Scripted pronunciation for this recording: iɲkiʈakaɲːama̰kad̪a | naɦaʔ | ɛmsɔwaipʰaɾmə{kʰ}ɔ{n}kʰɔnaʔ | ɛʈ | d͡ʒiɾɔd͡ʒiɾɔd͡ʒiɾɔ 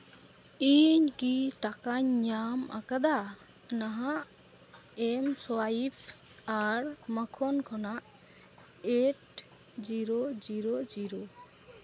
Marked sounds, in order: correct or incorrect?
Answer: correct, correct

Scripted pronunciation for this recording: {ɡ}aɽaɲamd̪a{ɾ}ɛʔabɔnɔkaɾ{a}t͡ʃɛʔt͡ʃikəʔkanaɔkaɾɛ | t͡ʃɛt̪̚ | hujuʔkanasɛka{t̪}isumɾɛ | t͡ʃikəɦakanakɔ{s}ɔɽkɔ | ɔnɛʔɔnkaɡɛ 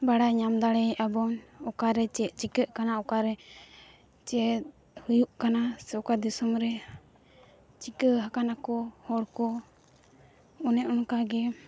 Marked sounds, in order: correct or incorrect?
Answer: incorrect, incorrect, incorrect, incorrect, incorrect

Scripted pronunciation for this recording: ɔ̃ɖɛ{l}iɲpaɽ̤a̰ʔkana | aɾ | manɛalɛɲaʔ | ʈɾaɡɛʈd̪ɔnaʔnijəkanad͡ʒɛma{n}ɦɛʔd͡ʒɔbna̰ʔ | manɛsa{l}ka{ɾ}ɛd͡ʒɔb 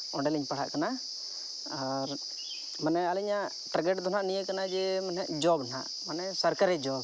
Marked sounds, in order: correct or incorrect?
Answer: correct, correct, incorrect, correct

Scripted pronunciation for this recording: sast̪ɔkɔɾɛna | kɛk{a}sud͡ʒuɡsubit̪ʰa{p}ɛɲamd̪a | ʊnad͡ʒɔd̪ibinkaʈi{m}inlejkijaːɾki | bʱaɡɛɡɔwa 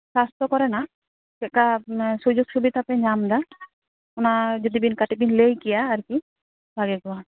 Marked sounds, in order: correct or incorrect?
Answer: correct, correct, incorrect

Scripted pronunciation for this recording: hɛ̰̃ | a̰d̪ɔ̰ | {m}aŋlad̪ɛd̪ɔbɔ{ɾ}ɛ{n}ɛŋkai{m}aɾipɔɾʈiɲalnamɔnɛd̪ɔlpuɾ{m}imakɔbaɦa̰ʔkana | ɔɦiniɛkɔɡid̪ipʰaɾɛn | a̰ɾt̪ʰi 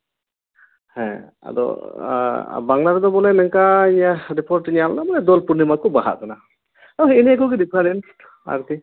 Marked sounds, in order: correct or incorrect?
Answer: incorrect, incorrect, correct, incorrect, incorrect

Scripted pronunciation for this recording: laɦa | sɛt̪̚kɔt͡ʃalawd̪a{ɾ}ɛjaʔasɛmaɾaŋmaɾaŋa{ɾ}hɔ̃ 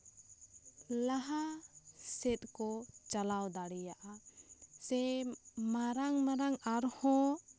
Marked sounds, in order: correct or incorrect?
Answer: incorrect, correct

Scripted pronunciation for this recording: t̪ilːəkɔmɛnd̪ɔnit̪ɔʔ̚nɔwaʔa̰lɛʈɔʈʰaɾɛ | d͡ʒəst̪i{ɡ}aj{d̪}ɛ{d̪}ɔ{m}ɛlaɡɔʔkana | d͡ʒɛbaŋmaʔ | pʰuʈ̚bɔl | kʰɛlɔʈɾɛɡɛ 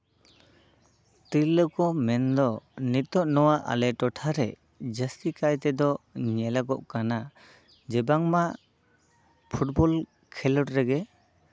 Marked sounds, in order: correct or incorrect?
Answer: incorrect, incorrect, correct, incorrect

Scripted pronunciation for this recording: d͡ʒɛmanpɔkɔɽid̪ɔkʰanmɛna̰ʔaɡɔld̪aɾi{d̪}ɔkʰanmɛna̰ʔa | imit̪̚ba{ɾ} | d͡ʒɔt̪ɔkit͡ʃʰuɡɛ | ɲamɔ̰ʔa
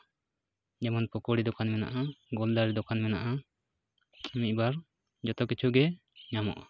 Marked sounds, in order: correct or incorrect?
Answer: correct, correct

